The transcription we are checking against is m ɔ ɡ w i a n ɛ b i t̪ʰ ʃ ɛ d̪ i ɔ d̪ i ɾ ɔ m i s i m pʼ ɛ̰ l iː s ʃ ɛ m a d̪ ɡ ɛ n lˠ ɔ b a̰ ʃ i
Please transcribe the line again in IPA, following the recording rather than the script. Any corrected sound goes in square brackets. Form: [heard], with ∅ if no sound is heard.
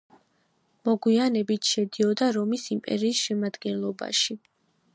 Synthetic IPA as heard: m ɔ ɡ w i a n ɛ b i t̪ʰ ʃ ɛ d̪ i ɔ d̪ [a] ɾ ɔ m i s i m pʼ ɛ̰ [ɾ] iː s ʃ ɛ m a d̪ ɡ ɛ n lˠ ɔ b a̰ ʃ i